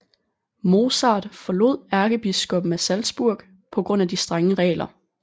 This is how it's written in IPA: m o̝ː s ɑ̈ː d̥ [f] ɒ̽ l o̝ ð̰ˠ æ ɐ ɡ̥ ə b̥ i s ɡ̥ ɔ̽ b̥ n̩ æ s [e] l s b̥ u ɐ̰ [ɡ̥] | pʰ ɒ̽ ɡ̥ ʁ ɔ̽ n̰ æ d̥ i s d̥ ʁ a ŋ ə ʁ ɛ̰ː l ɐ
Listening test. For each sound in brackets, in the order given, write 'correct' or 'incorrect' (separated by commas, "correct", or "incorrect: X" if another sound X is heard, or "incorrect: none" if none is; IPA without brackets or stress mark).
correct, incorrect: æ, correct